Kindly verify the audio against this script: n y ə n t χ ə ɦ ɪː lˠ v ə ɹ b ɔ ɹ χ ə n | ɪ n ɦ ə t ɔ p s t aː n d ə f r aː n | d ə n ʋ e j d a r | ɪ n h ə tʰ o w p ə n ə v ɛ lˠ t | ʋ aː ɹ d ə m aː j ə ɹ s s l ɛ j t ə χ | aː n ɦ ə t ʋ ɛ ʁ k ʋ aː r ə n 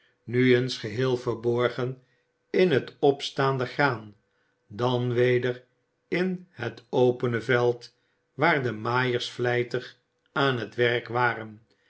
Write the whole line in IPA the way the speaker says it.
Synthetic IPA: n y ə n s χ ə ɦ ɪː lˠ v ə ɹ b ɔ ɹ χ ə n | ɪ n ɦ ə t ɔ p s t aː n d ə χ r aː n | d ɑ n ʋ e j d ə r | ɪ n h ə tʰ o w p ə n ə v ɛ lˠ t | ʋ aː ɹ d ə m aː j ə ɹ s f l ɛ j t ə χ | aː n ɦ ə t ʋ ɛ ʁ k ʋ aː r ə n